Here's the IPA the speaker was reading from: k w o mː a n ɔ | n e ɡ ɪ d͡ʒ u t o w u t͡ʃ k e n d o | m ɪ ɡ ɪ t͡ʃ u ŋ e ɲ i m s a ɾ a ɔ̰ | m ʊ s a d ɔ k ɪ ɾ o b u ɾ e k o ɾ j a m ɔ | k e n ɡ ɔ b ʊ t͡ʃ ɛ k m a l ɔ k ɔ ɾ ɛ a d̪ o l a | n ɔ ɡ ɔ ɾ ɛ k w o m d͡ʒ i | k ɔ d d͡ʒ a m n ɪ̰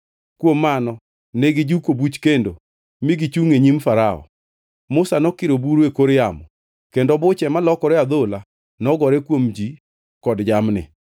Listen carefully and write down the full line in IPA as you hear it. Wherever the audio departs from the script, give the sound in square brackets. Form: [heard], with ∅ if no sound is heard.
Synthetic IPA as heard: k w o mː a n ɔ | n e ɡ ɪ d͡ʒ u [k] o [b] u t͡ʃ k e n d o | m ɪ ɡ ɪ t͡ʃ u ŋ e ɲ i m [f] a ɾ a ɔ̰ | m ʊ s a [n] ɔ k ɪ ɾ o b u ɾ e k o ɾ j a m ɔ | k e n [d] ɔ b ʊ t͡ʃ ɛ [∅] m a l ɔ k ɔ ɾ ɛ a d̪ o l a | n ɔ ɡ ɔ ɾ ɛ k w o m d͡ʒ i | k ɔ d d͡ʒ a m n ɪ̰